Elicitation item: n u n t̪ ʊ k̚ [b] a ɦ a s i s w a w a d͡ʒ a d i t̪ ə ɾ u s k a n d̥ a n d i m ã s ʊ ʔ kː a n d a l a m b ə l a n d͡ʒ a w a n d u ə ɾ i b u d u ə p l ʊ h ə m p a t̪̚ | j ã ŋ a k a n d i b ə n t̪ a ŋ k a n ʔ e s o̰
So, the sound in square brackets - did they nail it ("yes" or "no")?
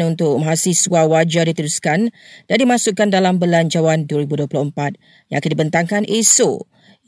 no